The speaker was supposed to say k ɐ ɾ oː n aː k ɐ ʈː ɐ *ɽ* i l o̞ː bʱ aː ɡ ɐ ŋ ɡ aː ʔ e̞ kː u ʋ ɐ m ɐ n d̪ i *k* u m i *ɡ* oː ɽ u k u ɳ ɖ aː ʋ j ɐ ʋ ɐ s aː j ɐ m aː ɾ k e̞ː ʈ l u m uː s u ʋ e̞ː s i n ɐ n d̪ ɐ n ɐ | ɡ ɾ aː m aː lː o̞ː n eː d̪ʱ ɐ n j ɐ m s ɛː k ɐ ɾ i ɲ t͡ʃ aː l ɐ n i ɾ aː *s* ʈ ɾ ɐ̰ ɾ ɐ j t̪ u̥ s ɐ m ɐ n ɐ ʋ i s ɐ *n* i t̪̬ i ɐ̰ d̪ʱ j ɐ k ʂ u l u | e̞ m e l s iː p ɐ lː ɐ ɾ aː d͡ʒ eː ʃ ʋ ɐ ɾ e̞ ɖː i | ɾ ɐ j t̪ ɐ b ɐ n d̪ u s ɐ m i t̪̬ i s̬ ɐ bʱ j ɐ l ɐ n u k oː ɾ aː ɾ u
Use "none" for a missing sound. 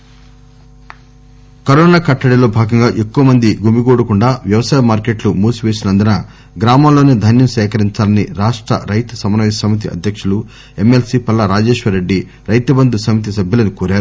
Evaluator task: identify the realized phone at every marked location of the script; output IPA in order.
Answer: ɽ, ɡ, ɡ, ʂ, m

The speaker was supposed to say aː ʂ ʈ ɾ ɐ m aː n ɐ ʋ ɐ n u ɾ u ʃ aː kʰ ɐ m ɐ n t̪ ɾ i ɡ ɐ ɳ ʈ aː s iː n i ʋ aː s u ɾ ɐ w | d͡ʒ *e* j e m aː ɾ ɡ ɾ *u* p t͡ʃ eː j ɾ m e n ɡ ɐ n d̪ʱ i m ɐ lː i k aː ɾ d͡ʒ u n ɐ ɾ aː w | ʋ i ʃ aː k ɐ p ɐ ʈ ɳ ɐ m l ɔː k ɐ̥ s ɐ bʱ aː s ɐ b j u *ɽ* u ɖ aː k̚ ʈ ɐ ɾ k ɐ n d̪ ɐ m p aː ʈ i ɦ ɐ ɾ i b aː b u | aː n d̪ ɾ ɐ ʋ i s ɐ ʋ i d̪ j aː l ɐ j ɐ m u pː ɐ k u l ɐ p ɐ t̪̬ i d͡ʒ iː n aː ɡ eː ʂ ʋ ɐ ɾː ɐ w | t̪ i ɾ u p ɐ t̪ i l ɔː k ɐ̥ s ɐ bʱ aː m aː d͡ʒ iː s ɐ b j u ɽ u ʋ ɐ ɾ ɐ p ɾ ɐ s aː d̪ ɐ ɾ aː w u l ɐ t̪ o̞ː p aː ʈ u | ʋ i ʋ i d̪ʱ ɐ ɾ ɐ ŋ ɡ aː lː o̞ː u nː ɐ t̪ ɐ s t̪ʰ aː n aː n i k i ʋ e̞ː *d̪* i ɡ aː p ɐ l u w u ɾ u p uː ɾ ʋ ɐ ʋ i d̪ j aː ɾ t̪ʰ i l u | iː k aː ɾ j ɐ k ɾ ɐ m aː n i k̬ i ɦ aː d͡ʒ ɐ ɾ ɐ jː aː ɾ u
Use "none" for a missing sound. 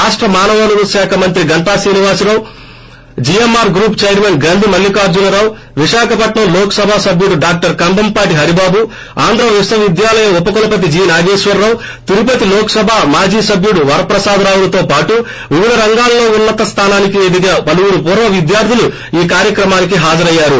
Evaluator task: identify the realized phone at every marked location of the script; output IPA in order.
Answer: i, uː, ɽ, d̪

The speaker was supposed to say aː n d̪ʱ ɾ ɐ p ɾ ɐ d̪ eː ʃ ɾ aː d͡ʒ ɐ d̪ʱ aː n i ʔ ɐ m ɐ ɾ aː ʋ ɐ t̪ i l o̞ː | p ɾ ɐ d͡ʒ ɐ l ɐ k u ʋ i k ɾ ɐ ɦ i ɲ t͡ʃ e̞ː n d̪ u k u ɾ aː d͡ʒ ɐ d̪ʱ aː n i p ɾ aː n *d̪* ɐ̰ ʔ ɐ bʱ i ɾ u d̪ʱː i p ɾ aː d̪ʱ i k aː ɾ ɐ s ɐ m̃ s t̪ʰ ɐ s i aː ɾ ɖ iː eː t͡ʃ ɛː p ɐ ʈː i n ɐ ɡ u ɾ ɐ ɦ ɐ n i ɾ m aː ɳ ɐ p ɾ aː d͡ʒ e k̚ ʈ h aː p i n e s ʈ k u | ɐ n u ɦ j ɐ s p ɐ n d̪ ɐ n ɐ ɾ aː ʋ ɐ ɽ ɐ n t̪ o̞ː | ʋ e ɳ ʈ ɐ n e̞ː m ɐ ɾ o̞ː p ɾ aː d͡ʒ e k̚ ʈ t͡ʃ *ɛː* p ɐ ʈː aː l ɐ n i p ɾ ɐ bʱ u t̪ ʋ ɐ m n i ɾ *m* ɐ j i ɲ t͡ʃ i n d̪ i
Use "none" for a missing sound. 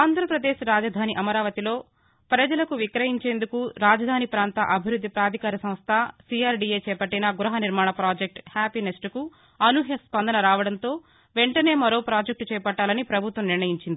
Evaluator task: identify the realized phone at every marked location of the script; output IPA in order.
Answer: t̪, ɛː, ɳ

